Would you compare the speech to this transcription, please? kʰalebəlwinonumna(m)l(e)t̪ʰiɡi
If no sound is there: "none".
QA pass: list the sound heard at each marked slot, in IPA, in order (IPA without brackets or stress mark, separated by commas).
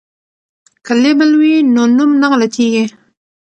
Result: ŋ, a